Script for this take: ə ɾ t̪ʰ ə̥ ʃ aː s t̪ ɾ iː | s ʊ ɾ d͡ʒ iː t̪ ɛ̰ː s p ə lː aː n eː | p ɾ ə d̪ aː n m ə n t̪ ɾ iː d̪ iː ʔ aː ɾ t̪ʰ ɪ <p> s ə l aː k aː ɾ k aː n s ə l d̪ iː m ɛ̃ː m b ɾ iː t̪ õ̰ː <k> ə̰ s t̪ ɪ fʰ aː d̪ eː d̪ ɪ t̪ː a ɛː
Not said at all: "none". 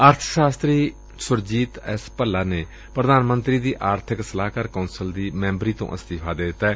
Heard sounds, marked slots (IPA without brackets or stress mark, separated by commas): k, ʔ